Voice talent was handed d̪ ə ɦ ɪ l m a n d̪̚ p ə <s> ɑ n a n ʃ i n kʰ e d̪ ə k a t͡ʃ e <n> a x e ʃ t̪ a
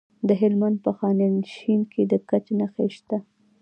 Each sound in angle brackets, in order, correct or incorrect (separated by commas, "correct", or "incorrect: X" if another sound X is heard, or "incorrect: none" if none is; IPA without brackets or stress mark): incorrect: x, correct